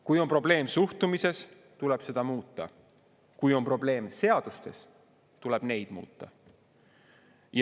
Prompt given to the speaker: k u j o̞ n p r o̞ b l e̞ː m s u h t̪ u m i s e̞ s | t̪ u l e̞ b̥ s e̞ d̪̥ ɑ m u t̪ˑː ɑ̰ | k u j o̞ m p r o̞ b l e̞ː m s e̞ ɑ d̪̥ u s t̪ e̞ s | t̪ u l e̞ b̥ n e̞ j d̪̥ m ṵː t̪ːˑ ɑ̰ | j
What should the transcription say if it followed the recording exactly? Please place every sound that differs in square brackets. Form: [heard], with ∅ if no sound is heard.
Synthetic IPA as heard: k u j o̞ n p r o̞ b l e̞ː m s u h t̪ u m i s e̞ s | t̪ u l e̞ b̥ s e̞ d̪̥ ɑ m [uː] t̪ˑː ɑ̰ | k u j o̞ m p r o̞ b l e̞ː m s e̞ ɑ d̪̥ u s t̪ e̞ s | t̪ u l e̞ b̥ n e̞ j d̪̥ m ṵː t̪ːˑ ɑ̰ | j